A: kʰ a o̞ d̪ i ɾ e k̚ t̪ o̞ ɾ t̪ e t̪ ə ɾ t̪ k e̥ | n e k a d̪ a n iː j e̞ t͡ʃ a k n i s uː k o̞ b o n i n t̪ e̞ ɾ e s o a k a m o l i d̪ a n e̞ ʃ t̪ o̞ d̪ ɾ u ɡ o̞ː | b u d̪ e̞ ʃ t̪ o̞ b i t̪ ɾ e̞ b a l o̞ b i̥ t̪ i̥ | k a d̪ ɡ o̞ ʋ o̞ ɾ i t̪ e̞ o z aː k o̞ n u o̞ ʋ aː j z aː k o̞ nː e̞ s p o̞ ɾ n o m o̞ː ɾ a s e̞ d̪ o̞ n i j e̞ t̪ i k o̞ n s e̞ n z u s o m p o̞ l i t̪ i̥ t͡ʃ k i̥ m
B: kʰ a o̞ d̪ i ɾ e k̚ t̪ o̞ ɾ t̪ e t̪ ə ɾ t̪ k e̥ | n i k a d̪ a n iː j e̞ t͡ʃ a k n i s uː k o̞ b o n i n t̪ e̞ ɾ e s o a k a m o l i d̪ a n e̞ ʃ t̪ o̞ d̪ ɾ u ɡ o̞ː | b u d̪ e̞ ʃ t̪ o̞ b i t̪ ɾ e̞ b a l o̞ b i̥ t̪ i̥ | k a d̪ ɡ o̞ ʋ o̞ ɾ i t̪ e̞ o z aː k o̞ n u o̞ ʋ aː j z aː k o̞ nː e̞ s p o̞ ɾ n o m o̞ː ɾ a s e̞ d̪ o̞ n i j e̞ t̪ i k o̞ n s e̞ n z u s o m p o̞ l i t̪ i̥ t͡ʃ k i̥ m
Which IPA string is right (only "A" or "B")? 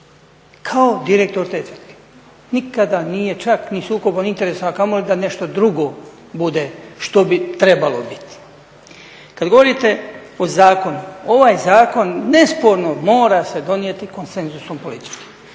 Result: B